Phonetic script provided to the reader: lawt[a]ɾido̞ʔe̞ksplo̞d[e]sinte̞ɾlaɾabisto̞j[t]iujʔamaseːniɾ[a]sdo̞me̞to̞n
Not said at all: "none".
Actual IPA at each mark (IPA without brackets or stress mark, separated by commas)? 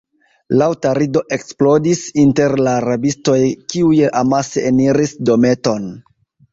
a, i, k, i